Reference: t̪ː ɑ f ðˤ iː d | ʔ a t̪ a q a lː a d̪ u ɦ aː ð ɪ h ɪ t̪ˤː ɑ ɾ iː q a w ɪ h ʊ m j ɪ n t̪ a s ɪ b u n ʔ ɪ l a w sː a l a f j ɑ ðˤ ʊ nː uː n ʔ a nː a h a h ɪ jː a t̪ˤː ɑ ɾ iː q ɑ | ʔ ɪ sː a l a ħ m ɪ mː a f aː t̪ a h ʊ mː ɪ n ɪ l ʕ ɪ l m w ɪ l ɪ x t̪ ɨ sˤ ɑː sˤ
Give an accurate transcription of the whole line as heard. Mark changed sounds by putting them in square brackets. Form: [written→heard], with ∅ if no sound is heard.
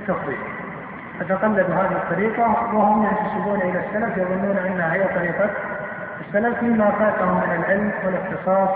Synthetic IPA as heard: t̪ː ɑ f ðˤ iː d | ʔ a t̪ a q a lː a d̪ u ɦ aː ð ɪ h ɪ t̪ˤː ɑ ɾ iː q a w ɪ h ʊ m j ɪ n t̪ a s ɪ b [u→uː] n ʔ ɪ l a [w→∅] sː a l a f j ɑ ðˤ ʊ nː uː n ʔ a nː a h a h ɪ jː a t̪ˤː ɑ ɾ iː q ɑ | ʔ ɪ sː a l a [ħ→f] m ɪ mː a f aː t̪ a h ʊ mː ɪ n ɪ l ʕ ɪ l m w ɪ l ɪ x t̪ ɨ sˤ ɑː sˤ